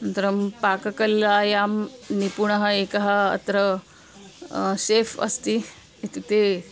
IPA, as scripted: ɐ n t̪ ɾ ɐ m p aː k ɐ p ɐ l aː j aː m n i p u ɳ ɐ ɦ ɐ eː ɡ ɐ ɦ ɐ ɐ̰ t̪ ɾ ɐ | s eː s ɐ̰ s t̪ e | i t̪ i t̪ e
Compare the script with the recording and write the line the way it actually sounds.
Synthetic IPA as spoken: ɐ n t̪ ɾ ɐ m p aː k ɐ k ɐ l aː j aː m n i p u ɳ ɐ ɦ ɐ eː k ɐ ɦ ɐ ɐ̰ t̪ ɾ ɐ | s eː f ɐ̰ s t̪ i | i t̪ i t̪ e

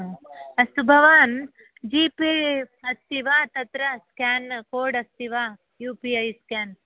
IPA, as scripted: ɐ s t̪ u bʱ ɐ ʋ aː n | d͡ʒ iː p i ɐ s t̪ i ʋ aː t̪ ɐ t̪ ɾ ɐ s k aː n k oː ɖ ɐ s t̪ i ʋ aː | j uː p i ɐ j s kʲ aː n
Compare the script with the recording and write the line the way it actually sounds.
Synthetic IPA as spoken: ɐ s t̪ u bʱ ɐ ʋ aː n | d͡ʒ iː p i ɐ s t̪ i ʋ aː t̪ ɐ t̪ ɾ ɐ s k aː n k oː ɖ ɐ s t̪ i ʋ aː | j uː p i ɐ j s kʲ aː n

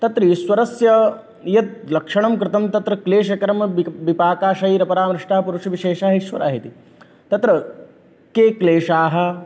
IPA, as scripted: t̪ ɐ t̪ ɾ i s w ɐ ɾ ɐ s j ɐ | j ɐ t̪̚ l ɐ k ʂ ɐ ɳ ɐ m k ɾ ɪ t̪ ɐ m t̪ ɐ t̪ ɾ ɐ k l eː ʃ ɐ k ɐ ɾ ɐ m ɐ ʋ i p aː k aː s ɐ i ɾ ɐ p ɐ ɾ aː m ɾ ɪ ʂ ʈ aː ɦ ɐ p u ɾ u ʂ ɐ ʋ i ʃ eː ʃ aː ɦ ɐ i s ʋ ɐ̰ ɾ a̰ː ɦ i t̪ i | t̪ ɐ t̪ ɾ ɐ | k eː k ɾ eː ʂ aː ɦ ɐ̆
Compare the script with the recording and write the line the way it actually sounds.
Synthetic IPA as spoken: t̪ ɐ t̪ ɾ i s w ɐ ɾ ɐ s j ɐ | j ɐ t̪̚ l ɐ k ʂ ɐ ɳ ɐ m k ɾ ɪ t̪ ɐ m t̪ ɐ t̪ ɾ ɐ k l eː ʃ ɐ k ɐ ɾ ɐ m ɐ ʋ i p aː k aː ʃ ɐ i ɾ ɐ p ɐ ɾ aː m ɾ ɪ ʂ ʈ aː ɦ ɐ p u ɾ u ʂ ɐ ʋ i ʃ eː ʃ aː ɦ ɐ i ʃ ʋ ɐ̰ ɾ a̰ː ɦ i t̪ i | t̪ ɐ t̪ ɾ ɐ | k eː k l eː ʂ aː ɦ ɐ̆

